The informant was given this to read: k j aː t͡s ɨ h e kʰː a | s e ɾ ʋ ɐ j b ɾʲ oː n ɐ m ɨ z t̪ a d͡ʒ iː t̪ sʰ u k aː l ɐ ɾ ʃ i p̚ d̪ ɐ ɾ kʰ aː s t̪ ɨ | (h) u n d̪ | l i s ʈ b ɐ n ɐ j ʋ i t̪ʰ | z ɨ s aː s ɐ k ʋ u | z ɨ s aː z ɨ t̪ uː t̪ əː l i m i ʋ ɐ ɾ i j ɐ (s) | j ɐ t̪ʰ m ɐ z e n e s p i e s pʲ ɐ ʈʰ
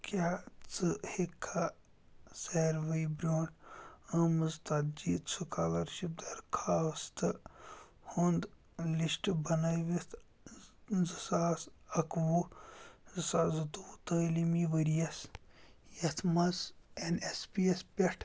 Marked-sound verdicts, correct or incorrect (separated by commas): correct, correct